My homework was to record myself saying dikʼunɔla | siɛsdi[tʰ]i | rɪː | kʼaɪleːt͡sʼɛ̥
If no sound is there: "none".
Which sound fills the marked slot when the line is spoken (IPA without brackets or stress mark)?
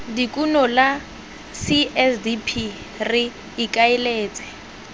pʰ